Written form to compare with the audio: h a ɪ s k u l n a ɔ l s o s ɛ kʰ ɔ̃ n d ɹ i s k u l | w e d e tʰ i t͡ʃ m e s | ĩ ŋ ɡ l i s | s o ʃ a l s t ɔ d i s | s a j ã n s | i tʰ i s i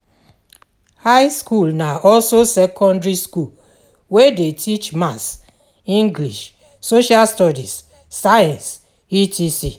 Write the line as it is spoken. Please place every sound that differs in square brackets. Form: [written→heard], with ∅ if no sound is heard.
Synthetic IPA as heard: h a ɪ s k u l n a ɔ l s o s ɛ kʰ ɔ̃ n d ɹ i s k u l | w e d e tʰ i t͡ʃ m [e→a] s | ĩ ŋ ɡ l i [s→ʃ] | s o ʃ a l s t ɔ d i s | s a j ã n s | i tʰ i s i